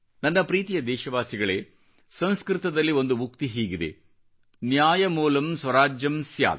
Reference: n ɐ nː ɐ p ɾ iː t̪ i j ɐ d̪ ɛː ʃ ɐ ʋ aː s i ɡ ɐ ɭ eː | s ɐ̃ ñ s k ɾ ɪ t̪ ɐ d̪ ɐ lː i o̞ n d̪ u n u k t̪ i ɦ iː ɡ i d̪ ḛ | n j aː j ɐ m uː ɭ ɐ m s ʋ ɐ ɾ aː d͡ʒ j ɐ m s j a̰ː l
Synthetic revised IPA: n ɐ nː ɐ p ɾ iː t̪ i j ɐ d̪ ɛː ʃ ɐ ʋ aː s i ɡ ɐ ɭ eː | s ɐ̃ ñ s k ɾ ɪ t̪ ɐ d̪ ɐ lː i o̞ n d̪ u m u k t̪ i ɦ iː ɡ i d̪ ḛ | n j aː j ɐ m uː l ɐ m s ʋ ɐ ɾ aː d͡ʒ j ɐ m s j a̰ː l